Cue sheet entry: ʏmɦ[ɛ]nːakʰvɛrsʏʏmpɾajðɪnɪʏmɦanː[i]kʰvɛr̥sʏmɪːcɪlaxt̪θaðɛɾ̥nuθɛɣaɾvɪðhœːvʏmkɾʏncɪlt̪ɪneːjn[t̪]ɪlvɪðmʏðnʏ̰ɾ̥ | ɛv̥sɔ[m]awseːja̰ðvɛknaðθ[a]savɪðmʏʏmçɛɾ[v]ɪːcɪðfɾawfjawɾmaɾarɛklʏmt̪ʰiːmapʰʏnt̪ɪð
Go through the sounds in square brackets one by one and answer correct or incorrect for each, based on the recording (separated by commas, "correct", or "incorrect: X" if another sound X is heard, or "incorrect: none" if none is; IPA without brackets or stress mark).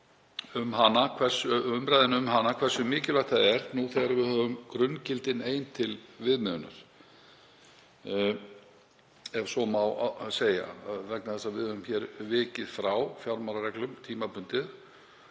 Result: incorrect: a, incorrect: a, incorrect: t̪ʰ, correct, incorrect: ɛ, correct